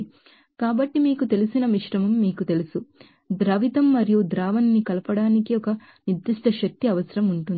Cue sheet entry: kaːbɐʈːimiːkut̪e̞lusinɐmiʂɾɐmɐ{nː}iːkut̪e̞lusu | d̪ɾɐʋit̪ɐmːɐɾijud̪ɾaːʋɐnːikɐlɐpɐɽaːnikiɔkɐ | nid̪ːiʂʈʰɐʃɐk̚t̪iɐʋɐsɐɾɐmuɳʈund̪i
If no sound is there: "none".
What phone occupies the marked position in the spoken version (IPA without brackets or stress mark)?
mː